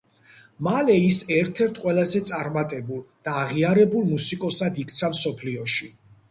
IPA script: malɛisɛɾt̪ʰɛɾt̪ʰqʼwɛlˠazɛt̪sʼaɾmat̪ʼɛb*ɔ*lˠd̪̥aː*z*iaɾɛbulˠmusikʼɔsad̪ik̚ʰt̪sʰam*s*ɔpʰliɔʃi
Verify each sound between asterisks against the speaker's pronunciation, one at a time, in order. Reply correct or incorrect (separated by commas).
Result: incorrect, incorrect, correct